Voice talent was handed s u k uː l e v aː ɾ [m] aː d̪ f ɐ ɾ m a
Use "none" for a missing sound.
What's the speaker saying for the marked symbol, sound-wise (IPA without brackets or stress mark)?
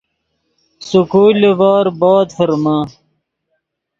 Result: b